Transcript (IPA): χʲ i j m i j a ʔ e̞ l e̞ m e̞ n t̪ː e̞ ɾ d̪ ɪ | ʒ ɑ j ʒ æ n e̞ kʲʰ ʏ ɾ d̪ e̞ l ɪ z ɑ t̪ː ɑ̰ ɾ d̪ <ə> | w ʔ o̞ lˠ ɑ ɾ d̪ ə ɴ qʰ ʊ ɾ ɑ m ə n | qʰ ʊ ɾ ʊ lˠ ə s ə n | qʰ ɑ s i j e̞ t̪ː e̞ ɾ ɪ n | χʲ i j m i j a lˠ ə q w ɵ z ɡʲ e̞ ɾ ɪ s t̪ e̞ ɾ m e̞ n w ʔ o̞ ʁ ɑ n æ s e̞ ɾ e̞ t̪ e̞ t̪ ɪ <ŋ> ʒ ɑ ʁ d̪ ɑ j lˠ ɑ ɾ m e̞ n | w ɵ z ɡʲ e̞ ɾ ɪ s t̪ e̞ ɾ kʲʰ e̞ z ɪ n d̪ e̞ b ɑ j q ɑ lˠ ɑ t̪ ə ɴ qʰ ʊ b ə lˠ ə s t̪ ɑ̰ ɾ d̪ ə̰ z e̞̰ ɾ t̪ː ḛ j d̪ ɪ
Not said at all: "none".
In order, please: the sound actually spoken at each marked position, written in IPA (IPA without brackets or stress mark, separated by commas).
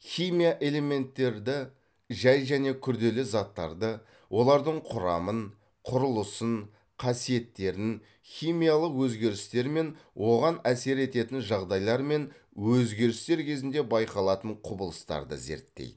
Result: ə, n